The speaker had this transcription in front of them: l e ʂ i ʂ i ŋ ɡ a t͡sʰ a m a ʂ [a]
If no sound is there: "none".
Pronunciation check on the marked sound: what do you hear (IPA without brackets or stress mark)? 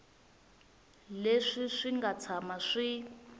i